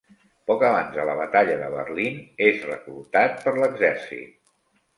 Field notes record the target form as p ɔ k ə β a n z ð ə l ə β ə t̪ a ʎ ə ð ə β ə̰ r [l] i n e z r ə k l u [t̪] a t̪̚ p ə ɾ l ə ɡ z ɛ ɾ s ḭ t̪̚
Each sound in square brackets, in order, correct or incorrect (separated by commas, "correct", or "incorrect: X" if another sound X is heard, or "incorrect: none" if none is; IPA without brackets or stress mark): correct, correct